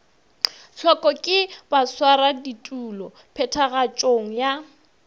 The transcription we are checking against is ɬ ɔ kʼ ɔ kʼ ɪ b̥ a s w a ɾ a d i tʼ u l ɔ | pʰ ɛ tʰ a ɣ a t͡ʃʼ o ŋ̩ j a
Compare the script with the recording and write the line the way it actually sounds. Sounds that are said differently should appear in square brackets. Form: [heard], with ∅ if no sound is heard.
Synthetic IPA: ɬ ɔ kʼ ɔ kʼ ɪ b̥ a s w a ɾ a d i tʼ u l ɔ | pʰ ɛ tʰ a ɣ a t͡ʃʼ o ŋ̩ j a